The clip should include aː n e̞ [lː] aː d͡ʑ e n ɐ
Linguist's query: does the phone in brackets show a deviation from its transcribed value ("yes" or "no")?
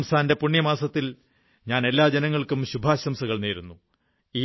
no